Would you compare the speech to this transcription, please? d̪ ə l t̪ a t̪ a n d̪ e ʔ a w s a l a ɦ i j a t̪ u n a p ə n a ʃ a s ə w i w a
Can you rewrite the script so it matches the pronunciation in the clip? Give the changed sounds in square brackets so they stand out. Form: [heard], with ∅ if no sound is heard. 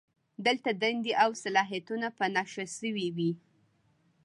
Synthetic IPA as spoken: d̪ ə l t̪ a [d̪] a n d̪ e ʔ a w s a l [ɑ] ɦ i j a t̪ u n a p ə n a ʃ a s ə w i w [i]